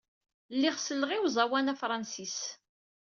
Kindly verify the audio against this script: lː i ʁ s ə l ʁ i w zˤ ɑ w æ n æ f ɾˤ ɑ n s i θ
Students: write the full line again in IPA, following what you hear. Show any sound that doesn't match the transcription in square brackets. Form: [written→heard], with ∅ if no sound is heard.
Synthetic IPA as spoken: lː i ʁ s ə l ʁ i w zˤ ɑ w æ n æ f ɾˤ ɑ n s i [θ→s]